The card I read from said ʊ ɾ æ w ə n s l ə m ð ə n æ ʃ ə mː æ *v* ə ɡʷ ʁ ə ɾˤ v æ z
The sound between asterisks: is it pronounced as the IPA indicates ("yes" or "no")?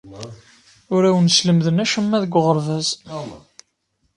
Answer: no